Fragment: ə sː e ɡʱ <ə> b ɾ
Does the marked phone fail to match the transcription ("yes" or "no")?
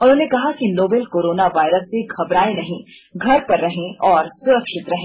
yes